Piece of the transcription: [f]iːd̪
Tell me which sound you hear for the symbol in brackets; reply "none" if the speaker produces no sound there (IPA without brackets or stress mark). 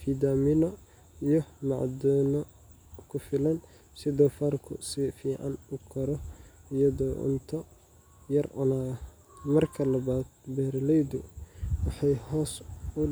f